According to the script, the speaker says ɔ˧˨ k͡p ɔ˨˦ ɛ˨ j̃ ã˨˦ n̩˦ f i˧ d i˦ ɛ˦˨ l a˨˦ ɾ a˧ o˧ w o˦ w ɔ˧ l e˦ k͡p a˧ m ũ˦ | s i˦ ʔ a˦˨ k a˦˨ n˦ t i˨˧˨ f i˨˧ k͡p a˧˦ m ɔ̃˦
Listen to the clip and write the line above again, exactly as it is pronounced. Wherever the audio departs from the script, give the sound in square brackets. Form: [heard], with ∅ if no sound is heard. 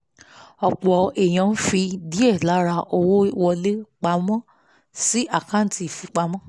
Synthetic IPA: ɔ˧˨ k͡p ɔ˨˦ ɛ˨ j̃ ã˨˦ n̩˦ f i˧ d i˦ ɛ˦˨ l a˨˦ ɾ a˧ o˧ w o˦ w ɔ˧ l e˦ k͡p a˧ m [ɔ̃˦] | s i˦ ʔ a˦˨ k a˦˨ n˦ t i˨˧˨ f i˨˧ k͡p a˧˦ m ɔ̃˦